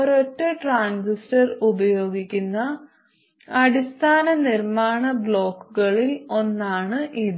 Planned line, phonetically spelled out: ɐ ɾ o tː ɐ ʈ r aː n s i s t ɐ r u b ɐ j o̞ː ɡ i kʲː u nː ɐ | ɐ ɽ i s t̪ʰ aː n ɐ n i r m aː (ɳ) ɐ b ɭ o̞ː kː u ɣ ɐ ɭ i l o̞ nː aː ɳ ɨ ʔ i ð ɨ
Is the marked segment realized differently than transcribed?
no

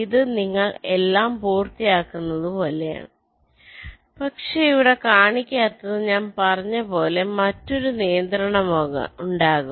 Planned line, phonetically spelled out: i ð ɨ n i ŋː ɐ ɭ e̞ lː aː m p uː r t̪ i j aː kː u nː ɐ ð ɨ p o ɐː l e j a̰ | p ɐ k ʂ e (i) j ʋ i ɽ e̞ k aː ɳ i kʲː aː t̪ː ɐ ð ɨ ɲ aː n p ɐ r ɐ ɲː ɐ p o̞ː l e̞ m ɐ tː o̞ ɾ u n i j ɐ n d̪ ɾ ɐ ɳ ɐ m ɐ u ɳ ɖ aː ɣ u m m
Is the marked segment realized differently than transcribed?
no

